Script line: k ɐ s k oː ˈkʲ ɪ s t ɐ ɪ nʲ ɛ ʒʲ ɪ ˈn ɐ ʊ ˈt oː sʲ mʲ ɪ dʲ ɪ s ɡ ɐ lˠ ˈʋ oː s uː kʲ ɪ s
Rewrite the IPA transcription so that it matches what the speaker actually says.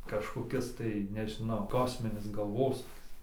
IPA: k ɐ ʃ k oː ˈkʲ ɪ s t ɐ ɪ nʲ ɛ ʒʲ ɪ ˈn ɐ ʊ ˈk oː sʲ mʲ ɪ nʲ ɪ s ɡ ɐ lˠ ˈʋ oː s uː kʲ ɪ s